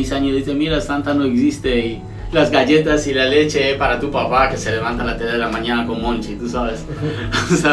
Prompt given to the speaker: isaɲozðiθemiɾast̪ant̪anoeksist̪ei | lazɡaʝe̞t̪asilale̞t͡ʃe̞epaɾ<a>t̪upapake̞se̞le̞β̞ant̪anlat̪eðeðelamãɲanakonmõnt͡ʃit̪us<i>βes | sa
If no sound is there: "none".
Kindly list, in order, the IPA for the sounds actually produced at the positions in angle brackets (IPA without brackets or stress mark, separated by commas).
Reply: a, a